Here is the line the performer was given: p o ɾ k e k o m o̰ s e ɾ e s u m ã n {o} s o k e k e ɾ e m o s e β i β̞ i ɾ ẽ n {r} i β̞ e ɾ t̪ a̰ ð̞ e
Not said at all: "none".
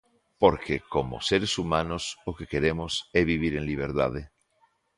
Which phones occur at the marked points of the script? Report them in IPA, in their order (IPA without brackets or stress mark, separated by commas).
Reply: o, l